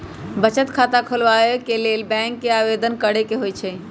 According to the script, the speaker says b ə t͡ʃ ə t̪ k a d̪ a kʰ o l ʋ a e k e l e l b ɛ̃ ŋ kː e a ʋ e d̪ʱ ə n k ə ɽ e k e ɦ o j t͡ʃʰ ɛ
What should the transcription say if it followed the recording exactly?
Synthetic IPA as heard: b ə t͡ʃ ə t̪ kʰ a t̪ a kʰ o l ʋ a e k e l e l b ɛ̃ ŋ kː e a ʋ e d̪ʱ ə n k ə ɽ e k e ɦ o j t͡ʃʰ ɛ